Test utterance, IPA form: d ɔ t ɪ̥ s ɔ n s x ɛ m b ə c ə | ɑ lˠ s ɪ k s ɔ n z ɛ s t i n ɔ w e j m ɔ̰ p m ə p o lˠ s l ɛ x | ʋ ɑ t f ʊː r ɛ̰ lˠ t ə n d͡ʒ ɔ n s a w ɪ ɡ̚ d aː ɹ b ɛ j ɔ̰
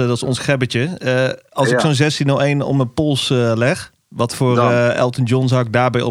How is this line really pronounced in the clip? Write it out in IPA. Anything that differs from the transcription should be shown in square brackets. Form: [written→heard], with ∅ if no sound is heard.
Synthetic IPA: d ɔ t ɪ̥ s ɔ n s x ɛ [m→∅] b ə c ə | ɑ lˠ s ɪ k s [ɔ→o] n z ɛ s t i n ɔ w e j [m→n] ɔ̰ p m ə p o lˠ s l ɛ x | ʋ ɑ t f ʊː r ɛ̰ lˠ t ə n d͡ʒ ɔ n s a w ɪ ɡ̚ d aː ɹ b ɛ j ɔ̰